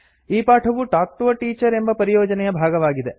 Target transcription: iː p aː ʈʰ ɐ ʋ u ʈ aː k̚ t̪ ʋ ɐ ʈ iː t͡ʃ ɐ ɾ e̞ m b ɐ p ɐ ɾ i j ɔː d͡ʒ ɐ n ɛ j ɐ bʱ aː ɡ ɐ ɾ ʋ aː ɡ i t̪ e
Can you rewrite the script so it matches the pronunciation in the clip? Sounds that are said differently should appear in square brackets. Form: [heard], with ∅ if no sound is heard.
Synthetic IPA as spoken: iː p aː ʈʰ ɐ ʋ u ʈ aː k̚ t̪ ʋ ɐ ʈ iː t͡ʃ ɐ ɾ e̞ m b ɐ p ɐ ɾ i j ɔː d͡ʒ ɐ n ɛ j ɐ bʱ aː ɡ ɐ [∅] ʋ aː ɡ i [d̪] e